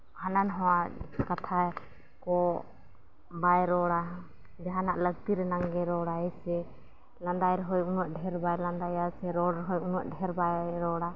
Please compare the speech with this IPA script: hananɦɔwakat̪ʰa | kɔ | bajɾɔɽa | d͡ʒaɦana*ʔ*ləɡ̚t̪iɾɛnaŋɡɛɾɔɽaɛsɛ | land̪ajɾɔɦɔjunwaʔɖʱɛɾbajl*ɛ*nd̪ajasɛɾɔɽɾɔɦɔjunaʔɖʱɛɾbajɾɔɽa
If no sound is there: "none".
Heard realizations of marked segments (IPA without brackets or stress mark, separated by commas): ʔ, a